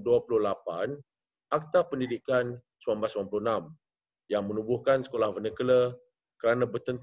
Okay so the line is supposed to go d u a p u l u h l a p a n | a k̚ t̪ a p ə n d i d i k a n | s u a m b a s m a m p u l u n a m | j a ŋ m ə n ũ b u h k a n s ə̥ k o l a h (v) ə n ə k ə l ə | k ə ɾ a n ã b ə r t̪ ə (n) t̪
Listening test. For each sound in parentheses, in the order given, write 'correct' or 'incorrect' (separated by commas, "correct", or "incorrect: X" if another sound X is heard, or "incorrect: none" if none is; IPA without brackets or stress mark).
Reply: correct, correct